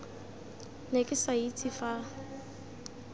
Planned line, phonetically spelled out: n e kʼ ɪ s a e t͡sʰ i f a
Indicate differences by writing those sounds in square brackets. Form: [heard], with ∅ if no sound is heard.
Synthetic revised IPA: n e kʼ ɪ s a [i] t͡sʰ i f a